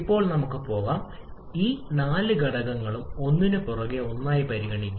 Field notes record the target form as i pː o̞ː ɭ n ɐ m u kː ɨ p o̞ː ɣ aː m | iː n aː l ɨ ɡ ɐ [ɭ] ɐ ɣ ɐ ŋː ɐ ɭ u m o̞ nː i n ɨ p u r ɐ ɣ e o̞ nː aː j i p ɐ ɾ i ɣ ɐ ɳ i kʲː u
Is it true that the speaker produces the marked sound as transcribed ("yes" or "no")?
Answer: no